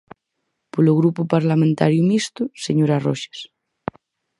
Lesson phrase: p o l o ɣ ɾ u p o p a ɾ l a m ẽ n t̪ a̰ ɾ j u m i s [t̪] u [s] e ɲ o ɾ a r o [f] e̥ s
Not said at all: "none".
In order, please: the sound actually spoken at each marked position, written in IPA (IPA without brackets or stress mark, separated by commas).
t̪, s, ʃ